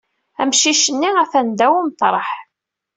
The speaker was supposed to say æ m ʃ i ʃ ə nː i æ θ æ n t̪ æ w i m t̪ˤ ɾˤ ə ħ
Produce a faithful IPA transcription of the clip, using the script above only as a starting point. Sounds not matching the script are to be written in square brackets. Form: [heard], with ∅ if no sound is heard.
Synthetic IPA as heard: æ m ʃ i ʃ ə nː i æ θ æ n [d̪] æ w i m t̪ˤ ɾˤ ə ħ